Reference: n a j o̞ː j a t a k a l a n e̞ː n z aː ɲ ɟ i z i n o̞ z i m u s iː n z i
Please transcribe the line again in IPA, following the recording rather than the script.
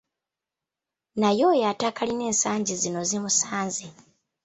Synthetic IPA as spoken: n a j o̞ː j a t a k a l i n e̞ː n s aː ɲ ɟ i z i n o̞ z i m u s aː n z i